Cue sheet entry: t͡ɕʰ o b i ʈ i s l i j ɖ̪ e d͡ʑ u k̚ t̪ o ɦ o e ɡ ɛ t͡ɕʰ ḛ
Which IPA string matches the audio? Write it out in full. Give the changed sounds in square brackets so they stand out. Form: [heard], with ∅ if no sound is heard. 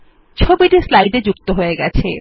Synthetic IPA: t͡ɕʰ o b i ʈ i s l [a] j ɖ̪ e d͡ʑ u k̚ t̪ o ɦ o e ɡ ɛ t͡ɕʰ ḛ